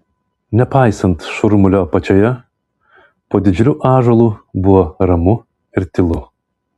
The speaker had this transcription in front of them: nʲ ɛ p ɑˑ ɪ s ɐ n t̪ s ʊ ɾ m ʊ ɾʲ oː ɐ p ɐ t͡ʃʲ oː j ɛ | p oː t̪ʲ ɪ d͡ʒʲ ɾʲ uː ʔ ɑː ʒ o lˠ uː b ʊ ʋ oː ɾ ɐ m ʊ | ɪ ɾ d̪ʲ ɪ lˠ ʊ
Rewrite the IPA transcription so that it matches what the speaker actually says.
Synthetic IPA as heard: nʲ ɛ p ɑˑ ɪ s ɐ n t̪ ʃ ʊ ɾ m ʊ lʲ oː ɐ p ɐ t͡ʃʲ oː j ɛ | p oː d̪ʲ ɪ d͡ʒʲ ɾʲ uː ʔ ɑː ʒ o lˠ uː b ʊ ʋ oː ɾ ɐ m ʊ | ɪ ɾ t̪ʲ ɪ lˠ ʊ